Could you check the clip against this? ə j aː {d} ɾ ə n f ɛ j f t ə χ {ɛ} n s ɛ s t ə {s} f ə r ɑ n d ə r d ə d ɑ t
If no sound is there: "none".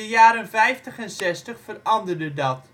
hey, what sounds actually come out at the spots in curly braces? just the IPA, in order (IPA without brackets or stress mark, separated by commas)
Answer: none, ɛ, χ